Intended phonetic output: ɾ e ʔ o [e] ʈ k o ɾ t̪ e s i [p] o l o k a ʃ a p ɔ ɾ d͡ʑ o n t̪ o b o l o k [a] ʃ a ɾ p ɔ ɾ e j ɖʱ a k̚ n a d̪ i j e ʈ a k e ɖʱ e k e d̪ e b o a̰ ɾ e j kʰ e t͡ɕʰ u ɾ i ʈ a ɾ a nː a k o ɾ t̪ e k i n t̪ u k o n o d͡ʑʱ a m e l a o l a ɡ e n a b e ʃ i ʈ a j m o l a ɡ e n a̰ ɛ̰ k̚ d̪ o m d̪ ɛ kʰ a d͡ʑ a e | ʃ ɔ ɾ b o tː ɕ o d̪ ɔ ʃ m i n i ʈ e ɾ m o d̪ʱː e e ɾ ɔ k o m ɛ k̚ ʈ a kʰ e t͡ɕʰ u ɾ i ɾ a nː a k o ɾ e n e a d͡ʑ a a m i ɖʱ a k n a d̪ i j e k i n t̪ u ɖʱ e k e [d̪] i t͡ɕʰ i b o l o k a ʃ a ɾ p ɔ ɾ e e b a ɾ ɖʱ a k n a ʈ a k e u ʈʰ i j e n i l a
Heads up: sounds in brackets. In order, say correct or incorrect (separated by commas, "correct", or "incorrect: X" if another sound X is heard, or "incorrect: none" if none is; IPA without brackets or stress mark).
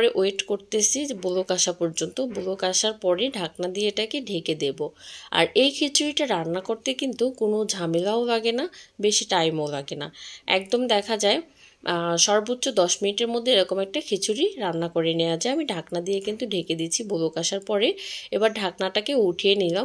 correct, incorrect: b, correct, correct